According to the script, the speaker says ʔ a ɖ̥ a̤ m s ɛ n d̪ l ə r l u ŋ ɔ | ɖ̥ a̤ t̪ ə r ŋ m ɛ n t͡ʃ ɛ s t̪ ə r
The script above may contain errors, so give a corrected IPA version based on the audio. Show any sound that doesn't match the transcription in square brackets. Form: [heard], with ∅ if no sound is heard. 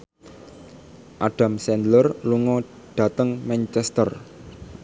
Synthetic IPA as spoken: ʔ a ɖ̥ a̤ m s ɛ n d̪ l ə r l u ŋ ɔ | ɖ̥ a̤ t̪ ə [∅] ŋ m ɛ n t͡ʃ ɛ s t̪ ə r